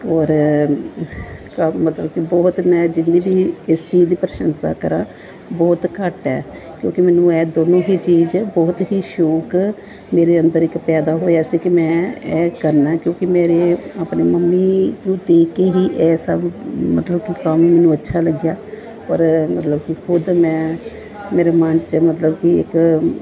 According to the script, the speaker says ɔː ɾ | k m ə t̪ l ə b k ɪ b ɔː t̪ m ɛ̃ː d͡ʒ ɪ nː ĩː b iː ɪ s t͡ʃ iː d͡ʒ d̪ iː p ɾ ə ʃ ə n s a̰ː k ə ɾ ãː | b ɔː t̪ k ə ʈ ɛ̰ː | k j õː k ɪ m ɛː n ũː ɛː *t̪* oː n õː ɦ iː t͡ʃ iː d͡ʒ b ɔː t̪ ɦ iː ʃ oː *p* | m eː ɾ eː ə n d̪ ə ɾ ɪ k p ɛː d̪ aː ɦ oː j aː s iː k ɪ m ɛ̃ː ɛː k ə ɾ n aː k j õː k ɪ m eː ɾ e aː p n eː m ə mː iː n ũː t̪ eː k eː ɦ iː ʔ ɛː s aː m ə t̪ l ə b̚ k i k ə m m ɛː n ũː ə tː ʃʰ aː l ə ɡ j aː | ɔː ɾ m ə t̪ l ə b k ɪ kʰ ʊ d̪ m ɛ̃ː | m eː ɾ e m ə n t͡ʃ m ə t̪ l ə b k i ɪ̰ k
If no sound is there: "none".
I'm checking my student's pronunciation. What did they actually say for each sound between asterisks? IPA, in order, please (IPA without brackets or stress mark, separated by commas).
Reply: d̪, k